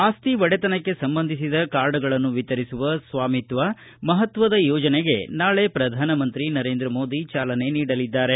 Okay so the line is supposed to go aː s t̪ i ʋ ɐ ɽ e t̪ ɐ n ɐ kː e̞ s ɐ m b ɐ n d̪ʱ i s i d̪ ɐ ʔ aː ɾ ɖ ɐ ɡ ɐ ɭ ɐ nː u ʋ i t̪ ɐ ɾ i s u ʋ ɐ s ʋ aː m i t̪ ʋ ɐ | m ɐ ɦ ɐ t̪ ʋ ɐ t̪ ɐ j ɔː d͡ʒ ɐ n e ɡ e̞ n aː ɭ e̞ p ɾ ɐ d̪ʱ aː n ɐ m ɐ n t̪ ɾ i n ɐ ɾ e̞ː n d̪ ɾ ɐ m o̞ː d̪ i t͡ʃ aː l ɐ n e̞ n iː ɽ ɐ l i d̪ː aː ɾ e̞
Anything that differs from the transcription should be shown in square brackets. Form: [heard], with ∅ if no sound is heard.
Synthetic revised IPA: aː s t̪ i ʋ ɐ ɽ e t̪ ɐ n ɐ kː e̞ s ɐ m b ɐ n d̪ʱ i s i d̪ ɐ [k] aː ɾ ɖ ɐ ɡ ɐ ɭ ɐ nː u ʋ i t̪ ɐ ɾ i s u ʋ ɐ s ʋ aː m i t̪ ʋ ɐ | m ɐ ɦ ɐ t̪ ʋ ɐ [d̪] ɐ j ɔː d͡ʒ ɐ n e ɡ e̞ n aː ɭ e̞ p ɾ ɐ d̪ʱ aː n ɐ m ɐ n t̪ ɾ i n ɐ ɾ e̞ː n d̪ ɾ ɐ m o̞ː d̪ i t͡ʃ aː l ɐ n e̞ n iː ɽ ɐ l i d̪ː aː ɾ e̞